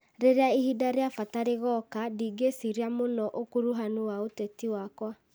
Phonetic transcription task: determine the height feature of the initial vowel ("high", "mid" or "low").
mid